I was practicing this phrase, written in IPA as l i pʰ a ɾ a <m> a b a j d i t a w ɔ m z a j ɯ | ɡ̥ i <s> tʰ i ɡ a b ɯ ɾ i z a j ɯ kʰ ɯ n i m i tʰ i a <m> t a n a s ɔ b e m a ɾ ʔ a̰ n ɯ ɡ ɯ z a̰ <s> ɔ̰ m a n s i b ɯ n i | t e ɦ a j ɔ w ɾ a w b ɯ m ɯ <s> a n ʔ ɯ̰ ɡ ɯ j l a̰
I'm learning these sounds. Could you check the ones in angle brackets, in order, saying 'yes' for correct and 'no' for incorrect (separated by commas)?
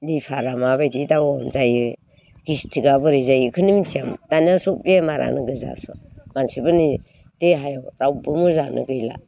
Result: yes, yes, yes, yes, no